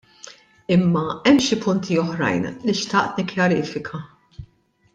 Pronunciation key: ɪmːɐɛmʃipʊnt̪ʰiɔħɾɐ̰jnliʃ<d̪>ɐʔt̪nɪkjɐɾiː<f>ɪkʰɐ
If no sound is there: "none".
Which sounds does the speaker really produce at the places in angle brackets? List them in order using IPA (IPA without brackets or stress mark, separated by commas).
t̪, f